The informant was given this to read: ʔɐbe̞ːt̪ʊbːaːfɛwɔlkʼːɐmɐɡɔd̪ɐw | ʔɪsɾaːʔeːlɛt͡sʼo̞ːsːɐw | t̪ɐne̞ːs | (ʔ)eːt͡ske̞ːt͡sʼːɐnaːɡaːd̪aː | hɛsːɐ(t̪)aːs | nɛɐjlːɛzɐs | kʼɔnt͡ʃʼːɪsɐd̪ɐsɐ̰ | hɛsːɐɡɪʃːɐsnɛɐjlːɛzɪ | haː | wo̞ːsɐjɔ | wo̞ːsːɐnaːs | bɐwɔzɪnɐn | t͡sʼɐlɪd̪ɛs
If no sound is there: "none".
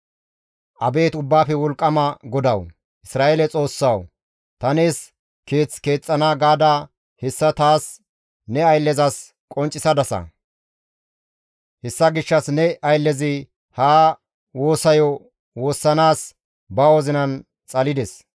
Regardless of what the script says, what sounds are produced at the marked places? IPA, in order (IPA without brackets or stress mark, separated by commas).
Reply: k, t̪